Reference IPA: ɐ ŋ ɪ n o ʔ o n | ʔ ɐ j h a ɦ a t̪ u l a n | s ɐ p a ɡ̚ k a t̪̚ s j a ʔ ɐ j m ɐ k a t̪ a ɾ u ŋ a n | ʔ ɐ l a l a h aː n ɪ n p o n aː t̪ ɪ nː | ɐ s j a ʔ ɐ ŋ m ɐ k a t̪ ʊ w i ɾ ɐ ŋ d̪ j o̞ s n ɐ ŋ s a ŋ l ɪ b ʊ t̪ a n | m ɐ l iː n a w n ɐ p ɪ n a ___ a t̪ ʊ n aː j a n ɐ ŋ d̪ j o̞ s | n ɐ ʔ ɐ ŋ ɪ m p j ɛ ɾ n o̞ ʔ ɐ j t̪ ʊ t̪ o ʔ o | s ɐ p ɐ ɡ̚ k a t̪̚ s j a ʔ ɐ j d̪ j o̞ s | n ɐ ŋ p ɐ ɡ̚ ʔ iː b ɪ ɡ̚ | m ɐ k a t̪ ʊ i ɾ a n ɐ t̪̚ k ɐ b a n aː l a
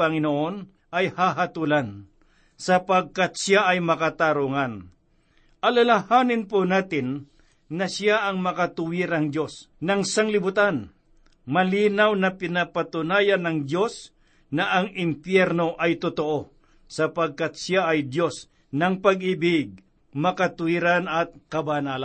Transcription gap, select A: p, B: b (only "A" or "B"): A